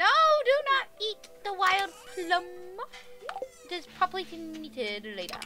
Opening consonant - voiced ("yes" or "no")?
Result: yes